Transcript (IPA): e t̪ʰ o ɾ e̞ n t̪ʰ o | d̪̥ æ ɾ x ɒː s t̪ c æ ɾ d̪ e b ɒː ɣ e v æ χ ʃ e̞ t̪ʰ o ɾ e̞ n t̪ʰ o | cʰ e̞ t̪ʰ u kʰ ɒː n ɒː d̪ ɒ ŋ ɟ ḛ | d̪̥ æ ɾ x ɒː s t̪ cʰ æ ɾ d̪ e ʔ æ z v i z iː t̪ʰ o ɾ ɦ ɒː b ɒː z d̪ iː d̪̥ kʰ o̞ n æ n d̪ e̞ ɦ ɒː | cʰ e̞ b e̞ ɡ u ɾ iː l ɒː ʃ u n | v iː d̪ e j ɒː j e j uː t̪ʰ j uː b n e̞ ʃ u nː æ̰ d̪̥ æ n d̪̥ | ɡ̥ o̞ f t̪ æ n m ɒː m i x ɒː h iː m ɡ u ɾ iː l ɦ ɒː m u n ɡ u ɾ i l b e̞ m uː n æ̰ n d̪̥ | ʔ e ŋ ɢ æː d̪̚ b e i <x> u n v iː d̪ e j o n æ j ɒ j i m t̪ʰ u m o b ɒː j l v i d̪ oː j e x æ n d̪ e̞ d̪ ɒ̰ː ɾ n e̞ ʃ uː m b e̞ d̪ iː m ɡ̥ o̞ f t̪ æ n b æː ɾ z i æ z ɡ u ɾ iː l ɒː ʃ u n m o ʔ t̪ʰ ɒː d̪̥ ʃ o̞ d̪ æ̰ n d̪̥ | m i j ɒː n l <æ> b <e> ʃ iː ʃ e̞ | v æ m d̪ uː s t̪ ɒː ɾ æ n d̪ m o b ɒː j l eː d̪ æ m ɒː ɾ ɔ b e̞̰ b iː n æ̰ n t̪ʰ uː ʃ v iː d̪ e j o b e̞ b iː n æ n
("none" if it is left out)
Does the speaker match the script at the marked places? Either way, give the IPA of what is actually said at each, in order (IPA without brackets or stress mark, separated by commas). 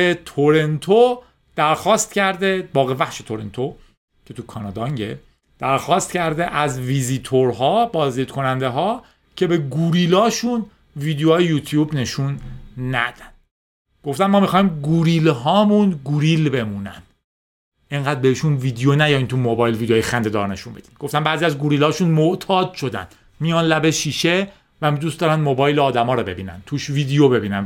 ʃ, æ, e